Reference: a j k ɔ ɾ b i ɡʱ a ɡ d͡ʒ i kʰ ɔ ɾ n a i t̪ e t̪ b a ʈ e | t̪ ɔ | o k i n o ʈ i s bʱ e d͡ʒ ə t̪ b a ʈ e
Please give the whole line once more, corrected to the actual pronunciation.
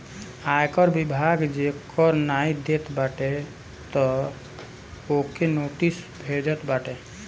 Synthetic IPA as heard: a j k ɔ ɾ b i bʱ a ɡ d͡ʒ e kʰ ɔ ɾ n a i d̪ e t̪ b a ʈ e | t̪ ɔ | o k e n o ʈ i s bʱ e d͡ʒ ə t̪ b a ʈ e